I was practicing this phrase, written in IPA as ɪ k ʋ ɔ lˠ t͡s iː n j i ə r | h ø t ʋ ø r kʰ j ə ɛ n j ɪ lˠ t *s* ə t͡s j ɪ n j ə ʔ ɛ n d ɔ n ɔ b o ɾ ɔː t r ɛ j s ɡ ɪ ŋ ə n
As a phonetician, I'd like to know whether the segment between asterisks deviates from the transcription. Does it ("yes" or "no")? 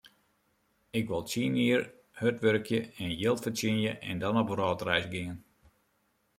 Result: yes